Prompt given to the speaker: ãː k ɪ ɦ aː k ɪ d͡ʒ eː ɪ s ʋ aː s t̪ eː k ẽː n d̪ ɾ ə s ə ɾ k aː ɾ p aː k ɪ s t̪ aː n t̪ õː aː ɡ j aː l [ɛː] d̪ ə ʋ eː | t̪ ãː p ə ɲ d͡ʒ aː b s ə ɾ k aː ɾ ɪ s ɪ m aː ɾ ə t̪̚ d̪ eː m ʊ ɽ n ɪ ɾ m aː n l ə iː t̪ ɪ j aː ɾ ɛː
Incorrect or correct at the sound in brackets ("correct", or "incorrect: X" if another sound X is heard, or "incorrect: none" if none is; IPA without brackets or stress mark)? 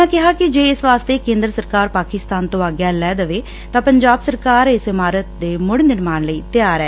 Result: correct